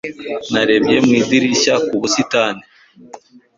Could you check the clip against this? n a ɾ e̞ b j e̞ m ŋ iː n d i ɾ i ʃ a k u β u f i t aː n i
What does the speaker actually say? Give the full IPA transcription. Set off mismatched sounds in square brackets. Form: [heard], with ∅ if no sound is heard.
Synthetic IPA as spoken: n a ɾ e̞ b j e̞ m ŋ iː [∅] d i ɾ i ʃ a k u β u [s] i t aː n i